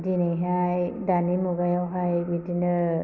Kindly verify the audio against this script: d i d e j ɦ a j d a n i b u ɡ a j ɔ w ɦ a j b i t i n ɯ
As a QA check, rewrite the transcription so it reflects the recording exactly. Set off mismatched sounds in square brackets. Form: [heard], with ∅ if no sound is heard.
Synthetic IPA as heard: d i [n] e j ɦ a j d a n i [m] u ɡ a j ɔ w ɦ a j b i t i n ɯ